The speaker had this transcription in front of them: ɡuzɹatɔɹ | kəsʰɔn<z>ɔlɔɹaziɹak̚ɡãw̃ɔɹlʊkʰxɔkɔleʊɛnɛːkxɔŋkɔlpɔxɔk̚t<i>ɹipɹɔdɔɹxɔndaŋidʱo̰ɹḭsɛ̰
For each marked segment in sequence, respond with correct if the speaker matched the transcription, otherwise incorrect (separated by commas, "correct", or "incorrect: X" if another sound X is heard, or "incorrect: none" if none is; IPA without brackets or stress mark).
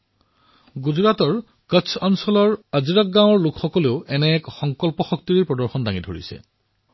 incorrect: s, correct